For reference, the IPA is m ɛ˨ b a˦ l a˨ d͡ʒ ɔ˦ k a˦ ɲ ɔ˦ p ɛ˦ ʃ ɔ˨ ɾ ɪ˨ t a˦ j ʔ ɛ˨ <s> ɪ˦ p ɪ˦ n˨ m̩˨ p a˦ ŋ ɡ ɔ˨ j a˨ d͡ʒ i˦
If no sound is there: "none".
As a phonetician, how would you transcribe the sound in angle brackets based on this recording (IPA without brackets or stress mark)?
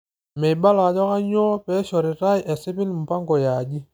s